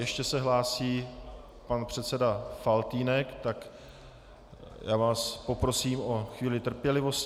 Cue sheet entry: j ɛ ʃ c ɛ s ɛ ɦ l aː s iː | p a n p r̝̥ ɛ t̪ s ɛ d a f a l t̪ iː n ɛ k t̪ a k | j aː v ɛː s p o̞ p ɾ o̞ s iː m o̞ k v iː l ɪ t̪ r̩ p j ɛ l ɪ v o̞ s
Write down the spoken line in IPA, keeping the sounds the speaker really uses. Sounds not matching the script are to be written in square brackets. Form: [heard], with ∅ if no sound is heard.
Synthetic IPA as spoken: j ɛ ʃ c ɛ s ɛ ɦ l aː s iː | p a n p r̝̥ ɛ t̪ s ɛ d a f a l t̪ iː n ɛ k t̪ a k | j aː v [aː] s p o̞ p ɾ o̞ s iː m o̞ [x] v iː l ɪ t̪ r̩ p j ɛ l ɪ v o̞ s